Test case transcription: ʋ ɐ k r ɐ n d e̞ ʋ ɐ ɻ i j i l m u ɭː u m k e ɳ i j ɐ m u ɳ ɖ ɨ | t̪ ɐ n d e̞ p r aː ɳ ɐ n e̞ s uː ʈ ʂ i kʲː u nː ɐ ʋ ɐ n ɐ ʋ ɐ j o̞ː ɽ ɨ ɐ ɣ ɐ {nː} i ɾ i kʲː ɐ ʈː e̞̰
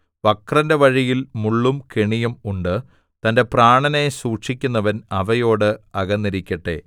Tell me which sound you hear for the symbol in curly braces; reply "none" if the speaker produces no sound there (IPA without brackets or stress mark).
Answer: nː